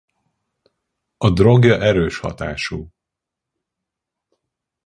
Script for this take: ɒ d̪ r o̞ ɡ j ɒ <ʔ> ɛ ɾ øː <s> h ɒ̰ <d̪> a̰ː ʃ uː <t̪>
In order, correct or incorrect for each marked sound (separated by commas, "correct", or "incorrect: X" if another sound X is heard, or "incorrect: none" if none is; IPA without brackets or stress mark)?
correct, incorrect: ʃ, incorrect: t̪, incorrect: none